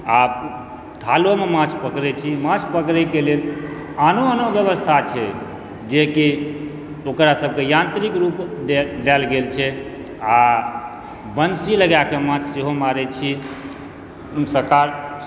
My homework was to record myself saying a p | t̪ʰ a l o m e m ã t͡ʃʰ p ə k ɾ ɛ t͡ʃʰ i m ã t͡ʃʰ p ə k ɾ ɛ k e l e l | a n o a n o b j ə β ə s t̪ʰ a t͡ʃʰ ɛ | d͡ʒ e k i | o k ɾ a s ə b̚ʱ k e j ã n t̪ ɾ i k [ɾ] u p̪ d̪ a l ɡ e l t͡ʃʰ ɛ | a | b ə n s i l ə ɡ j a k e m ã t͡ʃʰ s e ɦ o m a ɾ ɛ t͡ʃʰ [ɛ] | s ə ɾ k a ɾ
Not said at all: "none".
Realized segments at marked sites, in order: ɾ, i

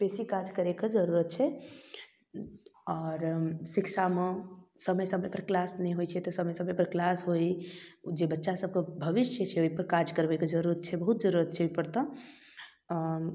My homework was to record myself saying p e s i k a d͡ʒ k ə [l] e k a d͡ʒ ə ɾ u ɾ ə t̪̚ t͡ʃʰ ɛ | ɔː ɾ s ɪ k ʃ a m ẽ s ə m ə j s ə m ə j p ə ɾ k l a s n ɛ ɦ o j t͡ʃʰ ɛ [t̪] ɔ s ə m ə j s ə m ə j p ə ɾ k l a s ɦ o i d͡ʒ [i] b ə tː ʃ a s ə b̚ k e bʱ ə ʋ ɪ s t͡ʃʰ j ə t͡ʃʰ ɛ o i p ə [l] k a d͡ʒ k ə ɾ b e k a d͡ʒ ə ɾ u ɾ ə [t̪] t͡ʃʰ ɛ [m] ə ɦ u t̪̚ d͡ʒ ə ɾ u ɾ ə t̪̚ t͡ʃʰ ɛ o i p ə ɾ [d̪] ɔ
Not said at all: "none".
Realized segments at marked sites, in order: ɾ, t̪, e, ɾ, t̪, b, t̪

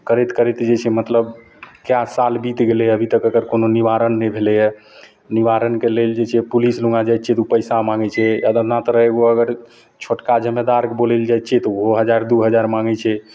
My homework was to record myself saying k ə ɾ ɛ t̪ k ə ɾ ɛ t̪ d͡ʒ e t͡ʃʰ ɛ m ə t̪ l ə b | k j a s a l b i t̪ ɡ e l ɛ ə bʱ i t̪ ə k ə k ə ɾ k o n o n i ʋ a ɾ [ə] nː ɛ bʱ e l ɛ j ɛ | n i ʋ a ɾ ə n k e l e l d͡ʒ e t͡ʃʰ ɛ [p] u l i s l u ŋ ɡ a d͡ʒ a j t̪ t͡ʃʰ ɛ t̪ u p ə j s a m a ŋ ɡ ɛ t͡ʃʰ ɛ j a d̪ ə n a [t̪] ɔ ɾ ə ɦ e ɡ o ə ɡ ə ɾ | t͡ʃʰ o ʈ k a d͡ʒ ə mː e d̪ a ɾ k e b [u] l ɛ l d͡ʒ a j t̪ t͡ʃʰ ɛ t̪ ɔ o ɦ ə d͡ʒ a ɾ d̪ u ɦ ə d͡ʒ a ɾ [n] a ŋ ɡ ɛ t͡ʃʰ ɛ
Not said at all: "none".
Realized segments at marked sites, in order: ə, p, t̪, o, m

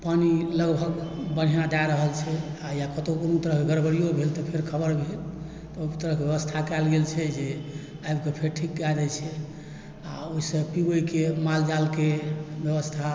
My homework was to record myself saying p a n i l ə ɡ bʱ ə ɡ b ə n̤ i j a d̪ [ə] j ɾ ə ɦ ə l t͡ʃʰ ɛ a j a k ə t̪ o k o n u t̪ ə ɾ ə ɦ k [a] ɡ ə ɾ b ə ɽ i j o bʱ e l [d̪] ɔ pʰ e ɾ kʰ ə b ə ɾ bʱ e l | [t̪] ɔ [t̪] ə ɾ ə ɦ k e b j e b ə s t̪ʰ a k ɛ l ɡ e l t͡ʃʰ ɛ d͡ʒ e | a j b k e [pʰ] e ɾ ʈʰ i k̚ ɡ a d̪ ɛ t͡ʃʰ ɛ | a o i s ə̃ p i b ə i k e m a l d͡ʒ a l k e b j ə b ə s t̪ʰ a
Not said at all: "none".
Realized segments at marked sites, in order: a, e, t̪, t̪, t̪, pʰ

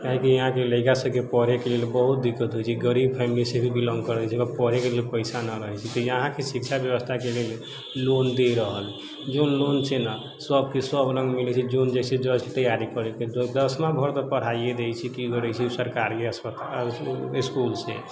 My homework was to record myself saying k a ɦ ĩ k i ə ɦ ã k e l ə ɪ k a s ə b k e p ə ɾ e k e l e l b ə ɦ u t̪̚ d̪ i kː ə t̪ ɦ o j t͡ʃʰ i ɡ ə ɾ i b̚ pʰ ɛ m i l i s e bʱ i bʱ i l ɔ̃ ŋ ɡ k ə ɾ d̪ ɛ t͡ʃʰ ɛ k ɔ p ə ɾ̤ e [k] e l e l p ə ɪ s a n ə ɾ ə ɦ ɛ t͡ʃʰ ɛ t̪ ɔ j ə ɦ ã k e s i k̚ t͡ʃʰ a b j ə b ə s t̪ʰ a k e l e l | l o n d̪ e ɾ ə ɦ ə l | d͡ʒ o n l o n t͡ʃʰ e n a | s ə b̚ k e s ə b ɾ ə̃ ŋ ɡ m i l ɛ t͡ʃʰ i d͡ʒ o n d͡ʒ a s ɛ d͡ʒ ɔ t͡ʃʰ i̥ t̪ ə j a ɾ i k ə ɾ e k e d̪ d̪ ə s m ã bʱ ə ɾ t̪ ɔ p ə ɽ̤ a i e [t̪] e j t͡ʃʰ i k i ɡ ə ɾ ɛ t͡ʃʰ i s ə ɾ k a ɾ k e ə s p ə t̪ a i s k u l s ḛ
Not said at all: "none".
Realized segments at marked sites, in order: k, d̪

